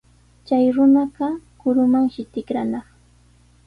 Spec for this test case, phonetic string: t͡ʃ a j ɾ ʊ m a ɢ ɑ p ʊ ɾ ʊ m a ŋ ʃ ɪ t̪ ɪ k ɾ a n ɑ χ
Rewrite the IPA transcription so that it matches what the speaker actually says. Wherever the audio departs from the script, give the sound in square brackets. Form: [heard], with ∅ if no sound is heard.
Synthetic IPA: t͡ʃ a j ɾ ʊ [n] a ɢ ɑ [k] ʊ ɾ ʊ m a ŋ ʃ ɪ t̪ ɪ k ɾ a n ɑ χ